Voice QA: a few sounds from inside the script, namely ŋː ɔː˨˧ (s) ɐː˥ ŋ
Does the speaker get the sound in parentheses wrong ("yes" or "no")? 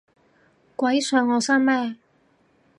no